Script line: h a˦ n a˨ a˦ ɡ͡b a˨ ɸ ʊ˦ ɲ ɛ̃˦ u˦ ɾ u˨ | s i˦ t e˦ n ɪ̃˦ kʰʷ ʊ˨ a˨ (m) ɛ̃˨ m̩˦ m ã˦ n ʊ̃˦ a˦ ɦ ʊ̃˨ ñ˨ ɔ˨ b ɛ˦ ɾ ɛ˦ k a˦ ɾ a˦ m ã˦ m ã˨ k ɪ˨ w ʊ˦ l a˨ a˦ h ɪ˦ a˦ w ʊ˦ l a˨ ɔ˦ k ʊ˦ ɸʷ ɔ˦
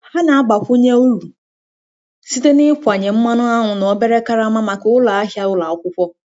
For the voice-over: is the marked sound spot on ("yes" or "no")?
no